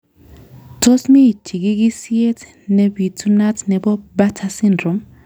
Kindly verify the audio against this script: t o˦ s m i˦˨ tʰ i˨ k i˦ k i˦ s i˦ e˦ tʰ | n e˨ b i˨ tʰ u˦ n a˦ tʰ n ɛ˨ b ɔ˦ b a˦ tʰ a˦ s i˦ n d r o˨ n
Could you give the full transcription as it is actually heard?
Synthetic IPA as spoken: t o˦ s m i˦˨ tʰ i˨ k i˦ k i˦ s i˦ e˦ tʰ | n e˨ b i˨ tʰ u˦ n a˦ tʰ n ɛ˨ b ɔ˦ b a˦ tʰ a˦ s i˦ n d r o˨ m